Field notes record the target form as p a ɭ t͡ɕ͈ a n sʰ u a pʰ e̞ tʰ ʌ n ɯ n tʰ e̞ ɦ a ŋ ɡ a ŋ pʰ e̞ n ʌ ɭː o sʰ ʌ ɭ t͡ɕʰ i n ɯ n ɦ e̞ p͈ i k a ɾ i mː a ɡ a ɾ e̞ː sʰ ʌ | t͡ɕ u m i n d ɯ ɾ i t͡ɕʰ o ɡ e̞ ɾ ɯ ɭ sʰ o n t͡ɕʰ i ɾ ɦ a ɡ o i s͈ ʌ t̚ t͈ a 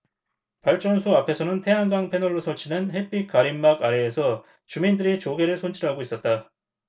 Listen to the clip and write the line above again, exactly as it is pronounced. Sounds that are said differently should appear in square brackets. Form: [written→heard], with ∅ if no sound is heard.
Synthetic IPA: p a ɭ t͡ɕ͈ [a→ʌ] n sʰ u a pʰ e̞ [tʰ→sʰ] ʌ n ɯ n tʰ e̞ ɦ a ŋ ɡ a ŋ pʰ e̞ n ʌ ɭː o sʰ ʌ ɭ t͡ɕʰ i n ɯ n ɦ e̞ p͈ i k a ɾ i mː a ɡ a ɾ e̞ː sʰ ʌ | t͡ɕ u m i n d ɯ ɾ i [t͡ɕʰ→t͡ɕ] o ɡ e̞ ɾ ɯ ɭ sʰ o n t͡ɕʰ i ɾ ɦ a ɡ o i s͈ ʌ t̚ t͈ a